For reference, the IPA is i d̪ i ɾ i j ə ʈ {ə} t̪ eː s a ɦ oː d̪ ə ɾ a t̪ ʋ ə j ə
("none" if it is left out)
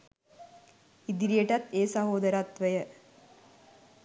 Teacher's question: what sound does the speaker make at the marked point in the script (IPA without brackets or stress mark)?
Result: a